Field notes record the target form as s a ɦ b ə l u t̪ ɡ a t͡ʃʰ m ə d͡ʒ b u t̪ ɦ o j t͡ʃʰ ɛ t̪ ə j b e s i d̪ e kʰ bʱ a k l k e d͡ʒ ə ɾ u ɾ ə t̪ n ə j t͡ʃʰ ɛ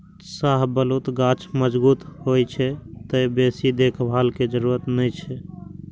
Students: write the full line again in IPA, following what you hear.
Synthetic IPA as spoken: s a ɦ b ə l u t̪ ɡ a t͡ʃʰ m ə d͡ʒ b u t̪ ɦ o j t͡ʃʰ ɛ t̪ ə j b e s i d̪ e kʰ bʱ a l k e d͡ʒ ə ɾ u ɾ ə t̪ n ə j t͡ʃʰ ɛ